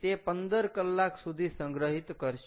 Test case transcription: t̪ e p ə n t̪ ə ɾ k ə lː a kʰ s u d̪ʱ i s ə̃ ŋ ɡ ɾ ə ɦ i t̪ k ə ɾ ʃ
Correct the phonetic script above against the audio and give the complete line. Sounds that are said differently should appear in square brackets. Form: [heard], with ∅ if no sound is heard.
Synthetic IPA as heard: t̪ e p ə n [d̪] ə ɾ k ə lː a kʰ s u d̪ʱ i s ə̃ ŋ ɡ ɾ ə ɦ i t̪ k ə ɾ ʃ